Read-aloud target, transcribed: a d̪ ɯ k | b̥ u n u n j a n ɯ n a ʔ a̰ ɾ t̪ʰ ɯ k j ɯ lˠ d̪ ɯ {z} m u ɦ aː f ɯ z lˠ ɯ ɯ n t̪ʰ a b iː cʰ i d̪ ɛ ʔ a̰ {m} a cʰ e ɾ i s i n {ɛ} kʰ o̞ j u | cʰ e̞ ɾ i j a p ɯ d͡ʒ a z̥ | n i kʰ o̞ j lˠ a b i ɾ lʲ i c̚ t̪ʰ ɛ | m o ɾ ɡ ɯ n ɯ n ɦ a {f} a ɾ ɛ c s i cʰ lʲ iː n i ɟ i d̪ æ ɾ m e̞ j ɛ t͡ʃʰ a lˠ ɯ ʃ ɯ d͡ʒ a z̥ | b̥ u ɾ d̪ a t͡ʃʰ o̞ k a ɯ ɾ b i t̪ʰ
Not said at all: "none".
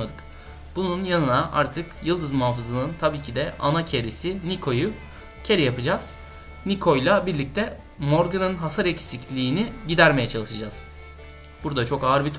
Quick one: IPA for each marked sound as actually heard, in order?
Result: z, n, i, s

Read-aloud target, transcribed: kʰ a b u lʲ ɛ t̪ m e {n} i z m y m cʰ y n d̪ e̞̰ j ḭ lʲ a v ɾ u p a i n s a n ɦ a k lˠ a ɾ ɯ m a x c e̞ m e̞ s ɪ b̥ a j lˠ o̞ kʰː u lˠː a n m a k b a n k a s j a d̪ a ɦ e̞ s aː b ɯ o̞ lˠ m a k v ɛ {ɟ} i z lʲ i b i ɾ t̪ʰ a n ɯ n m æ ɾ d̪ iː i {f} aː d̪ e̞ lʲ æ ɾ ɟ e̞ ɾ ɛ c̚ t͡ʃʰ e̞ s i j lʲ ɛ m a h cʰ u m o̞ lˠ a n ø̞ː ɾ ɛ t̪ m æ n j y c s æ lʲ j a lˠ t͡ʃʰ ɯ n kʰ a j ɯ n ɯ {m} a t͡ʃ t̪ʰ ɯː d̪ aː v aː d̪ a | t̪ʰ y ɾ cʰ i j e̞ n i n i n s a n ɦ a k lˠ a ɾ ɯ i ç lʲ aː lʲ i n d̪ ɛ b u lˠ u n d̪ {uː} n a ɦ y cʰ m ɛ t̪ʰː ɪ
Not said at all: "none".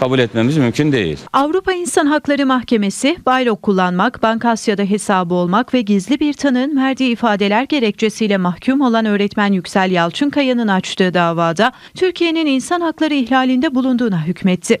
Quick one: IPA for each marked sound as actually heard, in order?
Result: m, ɟ, f, n, uː

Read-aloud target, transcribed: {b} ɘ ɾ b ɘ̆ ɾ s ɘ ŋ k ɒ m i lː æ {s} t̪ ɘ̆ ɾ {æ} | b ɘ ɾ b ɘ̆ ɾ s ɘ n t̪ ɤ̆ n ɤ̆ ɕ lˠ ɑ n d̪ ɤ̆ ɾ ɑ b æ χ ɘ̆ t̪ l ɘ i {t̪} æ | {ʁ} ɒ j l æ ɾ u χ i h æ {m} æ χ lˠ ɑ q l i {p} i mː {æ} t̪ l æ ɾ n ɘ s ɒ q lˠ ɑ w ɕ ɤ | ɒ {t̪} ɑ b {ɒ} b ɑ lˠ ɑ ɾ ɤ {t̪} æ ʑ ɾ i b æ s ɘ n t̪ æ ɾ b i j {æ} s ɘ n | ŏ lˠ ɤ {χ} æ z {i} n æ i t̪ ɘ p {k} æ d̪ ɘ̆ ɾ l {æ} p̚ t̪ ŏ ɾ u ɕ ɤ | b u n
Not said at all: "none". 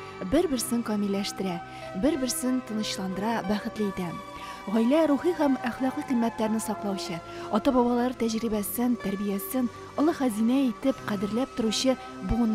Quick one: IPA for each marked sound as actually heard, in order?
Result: b, ʃ, æ, t̪, ʁ, m, q, æ, t̪, ɒ, t̪, æ, χ, i, q, æ

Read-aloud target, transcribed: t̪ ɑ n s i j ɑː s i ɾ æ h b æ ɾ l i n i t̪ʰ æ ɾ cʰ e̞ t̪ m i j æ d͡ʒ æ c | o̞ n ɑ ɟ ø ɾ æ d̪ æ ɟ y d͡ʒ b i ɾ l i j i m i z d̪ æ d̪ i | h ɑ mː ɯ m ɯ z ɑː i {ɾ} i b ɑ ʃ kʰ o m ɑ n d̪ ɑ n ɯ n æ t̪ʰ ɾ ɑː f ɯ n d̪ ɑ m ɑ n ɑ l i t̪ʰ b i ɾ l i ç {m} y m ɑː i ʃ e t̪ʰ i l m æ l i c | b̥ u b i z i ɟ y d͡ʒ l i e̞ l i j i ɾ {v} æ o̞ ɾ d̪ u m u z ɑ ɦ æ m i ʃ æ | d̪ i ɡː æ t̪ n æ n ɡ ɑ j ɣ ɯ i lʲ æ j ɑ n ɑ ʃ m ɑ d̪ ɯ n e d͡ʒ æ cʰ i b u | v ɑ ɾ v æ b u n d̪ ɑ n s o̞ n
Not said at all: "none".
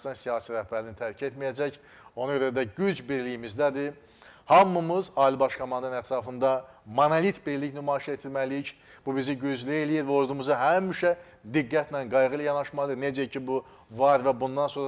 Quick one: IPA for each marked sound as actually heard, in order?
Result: l, n, v

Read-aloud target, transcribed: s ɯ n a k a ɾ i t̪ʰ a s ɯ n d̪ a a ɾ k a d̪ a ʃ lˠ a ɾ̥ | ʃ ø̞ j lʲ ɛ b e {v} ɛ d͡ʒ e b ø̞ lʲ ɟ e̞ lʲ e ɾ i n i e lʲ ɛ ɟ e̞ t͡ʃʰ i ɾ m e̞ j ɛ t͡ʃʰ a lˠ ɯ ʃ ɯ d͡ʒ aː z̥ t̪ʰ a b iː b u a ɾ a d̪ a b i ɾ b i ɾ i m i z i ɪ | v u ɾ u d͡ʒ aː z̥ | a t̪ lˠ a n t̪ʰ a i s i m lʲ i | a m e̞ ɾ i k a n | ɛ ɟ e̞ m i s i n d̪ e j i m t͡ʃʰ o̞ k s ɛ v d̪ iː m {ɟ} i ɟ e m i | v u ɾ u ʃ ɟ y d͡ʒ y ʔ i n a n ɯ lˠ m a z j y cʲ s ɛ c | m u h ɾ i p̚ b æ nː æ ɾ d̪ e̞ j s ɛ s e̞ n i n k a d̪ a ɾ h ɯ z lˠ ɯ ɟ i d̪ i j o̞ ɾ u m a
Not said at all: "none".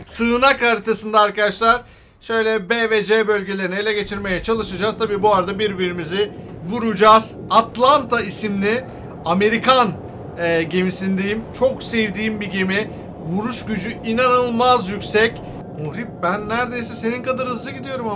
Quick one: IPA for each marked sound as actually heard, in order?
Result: v, b

